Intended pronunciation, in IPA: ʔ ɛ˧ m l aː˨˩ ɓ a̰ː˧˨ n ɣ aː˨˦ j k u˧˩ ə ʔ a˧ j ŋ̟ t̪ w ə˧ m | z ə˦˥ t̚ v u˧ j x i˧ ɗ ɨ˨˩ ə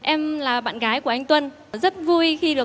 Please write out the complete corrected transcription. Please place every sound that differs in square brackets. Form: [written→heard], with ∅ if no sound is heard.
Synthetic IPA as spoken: ʔ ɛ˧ m l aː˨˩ ɓ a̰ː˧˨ n ɣ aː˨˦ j k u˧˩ ə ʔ a˧ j ŋ̟ t̪ w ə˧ [m→n] | z ə˦˥ t̚ v u˧ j x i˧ ɗ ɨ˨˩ ə